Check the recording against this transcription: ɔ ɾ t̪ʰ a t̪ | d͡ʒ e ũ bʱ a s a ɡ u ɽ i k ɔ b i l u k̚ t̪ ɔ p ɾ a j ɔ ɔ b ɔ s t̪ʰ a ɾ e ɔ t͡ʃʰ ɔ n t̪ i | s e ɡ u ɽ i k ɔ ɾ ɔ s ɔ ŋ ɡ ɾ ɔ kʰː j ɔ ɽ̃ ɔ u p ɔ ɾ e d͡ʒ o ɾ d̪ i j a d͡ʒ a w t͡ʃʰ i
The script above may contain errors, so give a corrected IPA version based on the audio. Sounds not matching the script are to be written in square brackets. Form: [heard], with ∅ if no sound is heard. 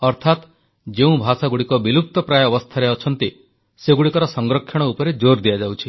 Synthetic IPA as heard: ɔ ɾ t̪ʰ a t̪ | d͡ʒ e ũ bʱ a s a ɡ u ɽ i k ɔ b i l u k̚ t̪ ɔ p ɾ a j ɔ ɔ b ɔ s t̪ʰ a ɾ e ɔ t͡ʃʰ ɔ n t̪ i | s e ɡ u ɽ i k ɔ ɾ ɔ s ɔ ŋ ɡ ɾ ɔ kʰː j ɔ ɽ̃ ɔ u p ɔ ɾ e d͡ʒ o ɾ d̪ i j a d͡ʒ a w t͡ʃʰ i